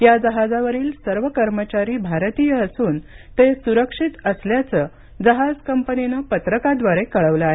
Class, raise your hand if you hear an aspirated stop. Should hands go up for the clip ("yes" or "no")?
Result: no